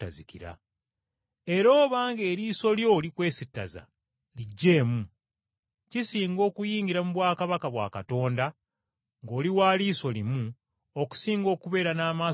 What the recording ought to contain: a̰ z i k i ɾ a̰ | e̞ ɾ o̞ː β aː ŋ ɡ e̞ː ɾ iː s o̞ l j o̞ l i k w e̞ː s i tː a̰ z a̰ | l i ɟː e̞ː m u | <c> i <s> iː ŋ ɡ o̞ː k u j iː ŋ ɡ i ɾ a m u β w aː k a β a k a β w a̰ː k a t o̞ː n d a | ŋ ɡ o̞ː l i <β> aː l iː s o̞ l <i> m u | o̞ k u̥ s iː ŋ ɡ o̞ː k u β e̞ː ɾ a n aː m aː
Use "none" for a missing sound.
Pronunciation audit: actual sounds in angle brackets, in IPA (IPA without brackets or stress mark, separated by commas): c, s, w, i